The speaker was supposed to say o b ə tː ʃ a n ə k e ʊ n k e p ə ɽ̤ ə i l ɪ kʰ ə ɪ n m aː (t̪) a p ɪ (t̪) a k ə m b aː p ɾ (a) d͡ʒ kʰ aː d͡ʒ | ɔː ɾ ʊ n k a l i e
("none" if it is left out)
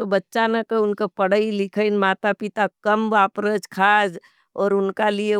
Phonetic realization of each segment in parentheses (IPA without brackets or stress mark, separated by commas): t̪, t̪, ə